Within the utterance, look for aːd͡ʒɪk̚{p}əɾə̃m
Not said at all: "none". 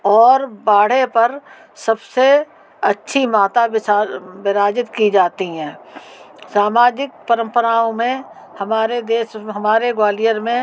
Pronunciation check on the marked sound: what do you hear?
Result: p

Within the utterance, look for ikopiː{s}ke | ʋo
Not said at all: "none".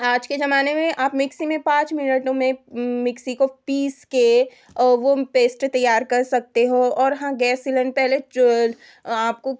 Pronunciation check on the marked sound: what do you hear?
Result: s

